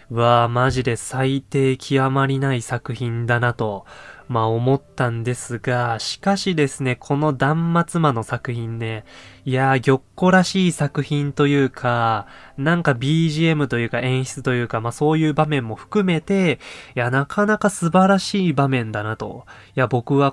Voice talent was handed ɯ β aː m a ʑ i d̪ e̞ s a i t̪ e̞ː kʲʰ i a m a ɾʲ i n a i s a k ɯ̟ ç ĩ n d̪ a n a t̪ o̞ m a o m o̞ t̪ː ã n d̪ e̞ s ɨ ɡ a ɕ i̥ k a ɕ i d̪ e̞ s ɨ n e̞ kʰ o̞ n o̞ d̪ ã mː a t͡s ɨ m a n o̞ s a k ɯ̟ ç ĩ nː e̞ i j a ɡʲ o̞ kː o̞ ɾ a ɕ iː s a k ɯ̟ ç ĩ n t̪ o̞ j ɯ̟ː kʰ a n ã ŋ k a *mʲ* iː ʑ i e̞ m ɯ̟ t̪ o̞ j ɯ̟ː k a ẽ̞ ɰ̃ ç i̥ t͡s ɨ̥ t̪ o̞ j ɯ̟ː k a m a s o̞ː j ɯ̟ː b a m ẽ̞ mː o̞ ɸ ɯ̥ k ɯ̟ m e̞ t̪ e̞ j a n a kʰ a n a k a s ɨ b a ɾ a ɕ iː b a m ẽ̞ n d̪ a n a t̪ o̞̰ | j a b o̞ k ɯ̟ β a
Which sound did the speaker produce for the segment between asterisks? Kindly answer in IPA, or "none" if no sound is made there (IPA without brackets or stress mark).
bʲ